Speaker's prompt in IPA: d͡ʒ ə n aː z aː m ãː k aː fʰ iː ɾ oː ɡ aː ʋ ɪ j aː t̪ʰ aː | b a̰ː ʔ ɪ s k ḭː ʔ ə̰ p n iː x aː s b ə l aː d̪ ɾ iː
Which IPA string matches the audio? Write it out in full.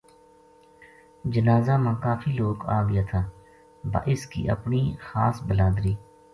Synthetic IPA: d͡ʒ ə n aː z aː m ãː k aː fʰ iː l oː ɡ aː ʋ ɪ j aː t̪ʰ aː | b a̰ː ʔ ɪ s k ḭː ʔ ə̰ p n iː x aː s b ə l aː d̪ ɾ iː